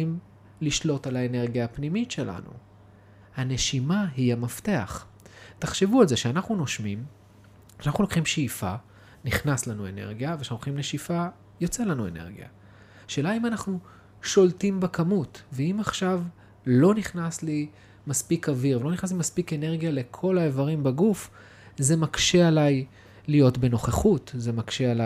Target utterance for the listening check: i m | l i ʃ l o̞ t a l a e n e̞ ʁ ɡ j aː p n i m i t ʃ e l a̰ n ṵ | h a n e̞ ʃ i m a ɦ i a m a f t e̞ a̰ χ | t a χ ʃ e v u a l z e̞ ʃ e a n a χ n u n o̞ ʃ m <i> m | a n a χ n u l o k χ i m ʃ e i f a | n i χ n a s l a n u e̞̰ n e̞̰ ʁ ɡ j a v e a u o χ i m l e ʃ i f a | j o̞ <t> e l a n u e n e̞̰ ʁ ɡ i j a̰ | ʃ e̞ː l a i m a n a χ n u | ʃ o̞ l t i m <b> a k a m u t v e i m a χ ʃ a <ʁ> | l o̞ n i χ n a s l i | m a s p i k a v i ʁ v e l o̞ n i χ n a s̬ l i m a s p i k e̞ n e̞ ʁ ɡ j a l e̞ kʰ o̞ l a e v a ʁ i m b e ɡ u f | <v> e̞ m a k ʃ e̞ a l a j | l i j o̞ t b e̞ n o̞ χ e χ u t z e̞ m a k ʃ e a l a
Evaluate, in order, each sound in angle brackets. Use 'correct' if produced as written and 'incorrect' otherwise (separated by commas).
correct, incorrect, correct, incorrect, incorrect